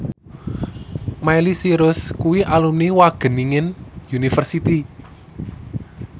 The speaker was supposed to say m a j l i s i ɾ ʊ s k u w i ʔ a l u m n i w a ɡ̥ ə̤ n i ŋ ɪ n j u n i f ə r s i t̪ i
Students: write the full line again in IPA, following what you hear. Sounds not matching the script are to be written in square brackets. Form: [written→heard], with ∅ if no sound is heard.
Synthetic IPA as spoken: m a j l i s i ɾ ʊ s k u w i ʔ a l u m n i w a ɡ̥ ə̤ n i ŋ ɪ n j u n i f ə r s i t̪ i